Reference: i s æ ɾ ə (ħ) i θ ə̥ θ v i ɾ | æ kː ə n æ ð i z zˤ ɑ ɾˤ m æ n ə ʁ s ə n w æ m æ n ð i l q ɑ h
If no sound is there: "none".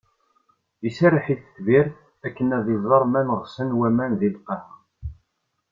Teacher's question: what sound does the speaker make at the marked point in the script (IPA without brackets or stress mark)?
ħ